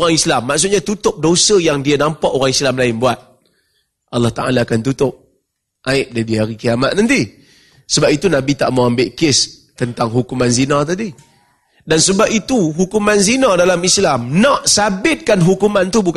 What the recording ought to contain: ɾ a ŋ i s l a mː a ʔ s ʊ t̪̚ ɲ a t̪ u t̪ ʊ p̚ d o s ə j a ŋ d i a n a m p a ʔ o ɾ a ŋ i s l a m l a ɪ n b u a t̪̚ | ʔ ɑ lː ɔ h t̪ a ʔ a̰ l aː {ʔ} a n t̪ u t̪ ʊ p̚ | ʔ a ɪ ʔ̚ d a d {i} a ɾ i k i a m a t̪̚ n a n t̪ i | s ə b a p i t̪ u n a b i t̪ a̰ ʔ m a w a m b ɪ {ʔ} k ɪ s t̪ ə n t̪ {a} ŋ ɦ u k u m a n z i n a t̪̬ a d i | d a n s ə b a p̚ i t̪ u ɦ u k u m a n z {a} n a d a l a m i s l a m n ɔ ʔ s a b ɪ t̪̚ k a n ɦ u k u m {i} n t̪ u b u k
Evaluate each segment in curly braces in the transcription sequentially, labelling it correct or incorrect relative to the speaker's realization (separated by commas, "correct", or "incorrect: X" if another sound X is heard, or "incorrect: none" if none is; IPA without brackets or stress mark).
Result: incorrect: k, correct, correct, correct, incorrect: i, incorrect: a